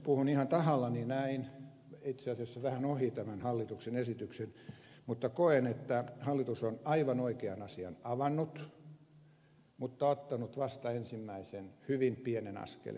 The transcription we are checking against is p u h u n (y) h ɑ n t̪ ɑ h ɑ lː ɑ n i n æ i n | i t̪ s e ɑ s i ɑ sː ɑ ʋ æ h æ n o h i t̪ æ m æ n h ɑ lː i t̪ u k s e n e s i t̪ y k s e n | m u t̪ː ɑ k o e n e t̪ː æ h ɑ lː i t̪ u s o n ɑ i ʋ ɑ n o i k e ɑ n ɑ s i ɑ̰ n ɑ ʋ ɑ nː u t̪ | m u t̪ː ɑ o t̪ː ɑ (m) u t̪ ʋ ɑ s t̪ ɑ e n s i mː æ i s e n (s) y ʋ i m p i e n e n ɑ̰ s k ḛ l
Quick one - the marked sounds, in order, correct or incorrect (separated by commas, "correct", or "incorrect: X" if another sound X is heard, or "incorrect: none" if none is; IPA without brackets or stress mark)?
incorrect: i, incorrect: n, incorrect: h